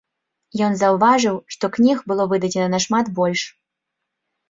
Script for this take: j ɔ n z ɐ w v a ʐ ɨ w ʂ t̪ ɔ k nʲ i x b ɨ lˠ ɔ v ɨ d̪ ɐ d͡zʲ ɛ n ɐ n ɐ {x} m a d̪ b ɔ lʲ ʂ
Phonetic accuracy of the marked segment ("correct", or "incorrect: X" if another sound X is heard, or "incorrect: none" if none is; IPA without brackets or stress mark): incorrect: ʂ